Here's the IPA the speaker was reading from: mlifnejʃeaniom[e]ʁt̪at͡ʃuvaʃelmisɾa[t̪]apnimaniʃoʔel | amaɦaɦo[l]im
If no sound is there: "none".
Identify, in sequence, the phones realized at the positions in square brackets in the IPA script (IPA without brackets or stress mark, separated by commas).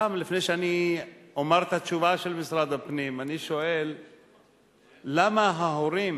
a, d̪, ɾ